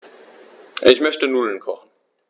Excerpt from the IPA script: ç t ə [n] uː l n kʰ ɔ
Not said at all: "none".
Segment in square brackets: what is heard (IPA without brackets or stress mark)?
n